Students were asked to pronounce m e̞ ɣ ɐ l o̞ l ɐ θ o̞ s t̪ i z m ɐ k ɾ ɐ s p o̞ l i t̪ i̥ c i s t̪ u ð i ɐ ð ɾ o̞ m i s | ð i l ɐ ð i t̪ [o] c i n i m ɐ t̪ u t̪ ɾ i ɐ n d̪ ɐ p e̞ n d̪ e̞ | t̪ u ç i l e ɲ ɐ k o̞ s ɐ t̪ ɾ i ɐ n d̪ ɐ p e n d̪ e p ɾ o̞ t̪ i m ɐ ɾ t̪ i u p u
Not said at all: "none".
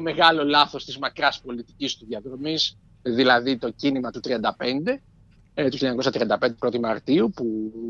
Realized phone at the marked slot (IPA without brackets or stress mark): o